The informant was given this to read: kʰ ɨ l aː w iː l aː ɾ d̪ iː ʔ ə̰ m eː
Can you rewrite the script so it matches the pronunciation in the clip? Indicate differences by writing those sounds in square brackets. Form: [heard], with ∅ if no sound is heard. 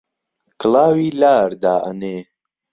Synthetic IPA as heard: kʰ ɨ l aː w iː l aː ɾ d̪ [aː] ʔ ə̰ [n] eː